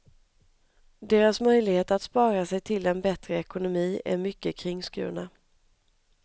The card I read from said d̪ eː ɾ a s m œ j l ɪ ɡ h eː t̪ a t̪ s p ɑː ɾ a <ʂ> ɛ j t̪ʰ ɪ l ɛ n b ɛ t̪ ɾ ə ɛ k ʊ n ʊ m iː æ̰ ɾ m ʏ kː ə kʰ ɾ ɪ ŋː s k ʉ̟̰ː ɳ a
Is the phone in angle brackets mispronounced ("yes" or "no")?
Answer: yes